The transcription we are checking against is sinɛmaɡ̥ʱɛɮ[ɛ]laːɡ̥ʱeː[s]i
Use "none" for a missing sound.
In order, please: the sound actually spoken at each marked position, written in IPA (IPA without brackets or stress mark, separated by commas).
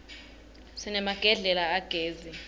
ɛ, z